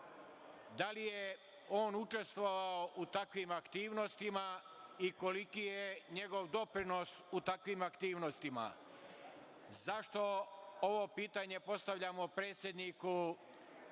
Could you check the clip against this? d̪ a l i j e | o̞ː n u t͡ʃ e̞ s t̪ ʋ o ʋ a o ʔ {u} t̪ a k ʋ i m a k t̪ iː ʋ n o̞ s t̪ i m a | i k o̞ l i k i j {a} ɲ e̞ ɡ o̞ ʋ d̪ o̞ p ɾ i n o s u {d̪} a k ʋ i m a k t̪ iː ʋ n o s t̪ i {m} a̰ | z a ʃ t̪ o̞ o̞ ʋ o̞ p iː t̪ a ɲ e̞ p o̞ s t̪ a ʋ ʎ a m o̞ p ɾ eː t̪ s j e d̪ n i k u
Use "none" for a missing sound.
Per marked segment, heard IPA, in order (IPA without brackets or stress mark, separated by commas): u, e, t̪, m